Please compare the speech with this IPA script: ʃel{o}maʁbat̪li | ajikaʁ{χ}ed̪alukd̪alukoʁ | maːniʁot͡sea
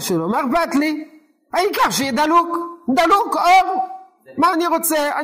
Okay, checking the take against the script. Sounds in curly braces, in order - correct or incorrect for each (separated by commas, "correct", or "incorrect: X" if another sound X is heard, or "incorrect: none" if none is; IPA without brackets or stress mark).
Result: correct, incorrect: ʃ